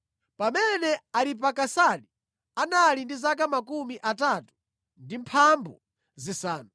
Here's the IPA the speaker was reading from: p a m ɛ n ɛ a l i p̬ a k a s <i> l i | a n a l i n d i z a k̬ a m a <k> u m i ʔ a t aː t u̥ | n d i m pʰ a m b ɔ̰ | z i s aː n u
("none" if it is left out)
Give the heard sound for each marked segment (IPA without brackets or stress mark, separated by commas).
a, k